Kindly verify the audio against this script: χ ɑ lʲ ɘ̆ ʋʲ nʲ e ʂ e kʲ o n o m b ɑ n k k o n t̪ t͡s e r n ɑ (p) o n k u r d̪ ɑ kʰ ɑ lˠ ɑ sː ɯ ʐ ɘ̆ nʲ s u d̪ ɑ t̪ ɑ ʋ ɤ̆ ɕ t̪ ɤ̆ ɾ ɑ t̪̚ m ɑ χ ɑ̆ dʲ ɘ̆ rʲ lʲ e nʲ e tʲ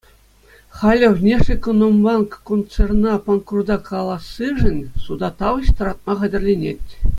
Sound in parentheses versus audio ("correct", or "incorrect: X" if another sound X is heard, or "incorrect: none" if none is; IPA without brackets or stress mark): correct